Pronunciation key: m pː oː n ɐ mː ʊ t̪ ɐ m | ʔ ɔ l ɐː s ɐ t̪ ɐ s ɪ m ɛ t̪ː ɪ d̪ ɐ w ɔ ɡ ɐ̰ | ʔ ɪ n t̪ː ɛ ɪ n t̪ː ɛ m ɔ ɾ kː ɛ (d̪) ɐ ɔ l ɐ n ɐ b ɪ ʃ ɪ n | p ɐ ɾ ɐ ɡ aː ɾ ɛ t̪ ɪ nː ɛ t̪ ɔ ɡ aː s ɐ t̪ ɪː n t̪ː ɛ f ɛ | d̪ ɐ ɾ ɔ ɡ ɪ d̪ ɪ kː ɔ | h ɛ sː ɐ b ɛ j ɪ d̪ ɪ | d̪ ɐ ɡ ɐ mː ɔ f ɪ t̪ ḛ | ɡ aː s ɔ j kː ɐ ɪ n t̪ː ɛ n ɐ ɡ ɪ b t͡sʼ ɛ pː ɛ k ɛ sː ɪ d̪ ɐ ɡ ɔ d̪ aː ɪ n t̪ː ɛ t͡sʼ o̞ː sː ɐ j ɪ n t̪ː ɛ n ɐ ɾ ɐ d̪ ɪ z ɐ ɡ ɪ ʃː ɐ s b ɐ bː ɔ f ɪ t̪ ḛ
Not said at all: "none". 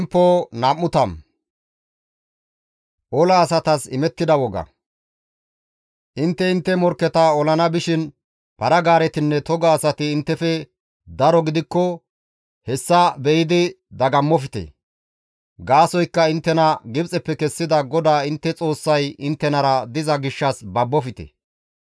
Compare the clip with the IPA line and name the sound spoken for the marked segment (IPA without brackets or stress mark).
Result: t̪